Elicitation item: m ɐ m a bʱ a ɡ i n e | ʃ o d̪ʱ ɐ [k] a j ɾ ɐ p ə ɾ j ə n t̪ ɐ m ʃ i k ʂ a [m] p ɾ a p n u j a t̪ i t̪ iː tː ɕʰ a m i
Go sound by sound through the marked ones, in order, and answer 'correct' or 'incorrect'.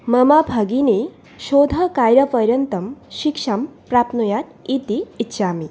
correct, correct

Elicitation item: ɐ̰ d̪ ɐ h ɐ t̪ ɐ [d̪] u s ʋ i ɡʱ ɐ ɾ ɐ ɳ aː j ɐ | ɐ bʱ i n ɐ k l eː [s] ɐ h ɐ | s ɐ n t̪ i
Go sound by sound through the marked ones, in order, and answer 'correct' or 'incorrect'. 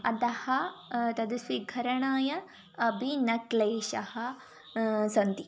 correct, incorrect

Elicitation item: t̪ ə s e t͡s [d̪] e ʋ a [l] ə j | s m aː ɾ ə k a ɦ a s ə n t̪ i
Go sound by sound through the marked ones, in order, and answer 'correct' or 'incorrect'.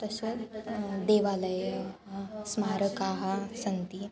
correct, correct

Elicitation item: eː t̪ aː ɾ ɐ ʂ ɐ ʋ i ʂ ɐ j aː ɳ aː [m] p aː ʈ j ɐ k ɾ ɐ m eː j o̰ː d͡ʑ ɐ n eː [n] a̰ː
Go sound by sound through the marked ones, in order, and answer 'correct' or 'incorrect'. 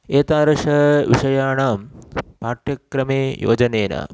correct, correct

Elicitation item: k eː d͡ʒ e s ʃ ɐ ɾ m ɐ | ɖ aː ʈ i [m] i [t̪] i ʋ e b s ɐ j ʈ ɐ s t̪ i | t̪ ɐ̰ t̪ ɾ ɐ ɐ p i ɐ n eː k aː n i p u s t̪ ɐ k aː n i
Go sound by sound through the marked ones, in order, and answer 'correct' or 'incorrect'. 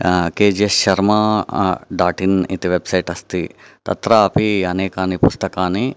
incorrect, correct

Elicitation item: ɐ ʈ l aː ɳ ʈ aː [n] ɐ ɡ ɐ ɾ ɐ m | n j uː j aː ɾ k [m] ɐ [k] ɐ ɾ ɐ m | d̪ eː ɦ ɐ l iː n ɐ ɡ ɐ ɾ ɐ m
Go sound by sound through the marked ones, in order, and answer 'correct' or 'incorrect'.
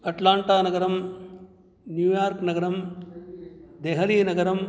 correct, incorrect, incorrect

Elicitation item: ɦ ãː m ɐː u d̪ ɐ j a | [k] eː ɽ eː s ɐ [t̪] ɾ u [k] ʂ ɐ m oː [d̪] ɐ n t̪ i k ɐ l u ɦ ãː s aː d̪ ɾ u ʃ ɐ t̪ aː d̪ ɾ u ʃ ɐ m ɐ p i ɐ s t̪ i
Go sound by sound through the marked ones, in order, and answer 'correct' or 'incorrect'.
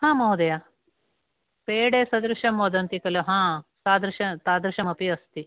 incorrect, incorrect, incorrect, correct

